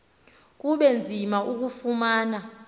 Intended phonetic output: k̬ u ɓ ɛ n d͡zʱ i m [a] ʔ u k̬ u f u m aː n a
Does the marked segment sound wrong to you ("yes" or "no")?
no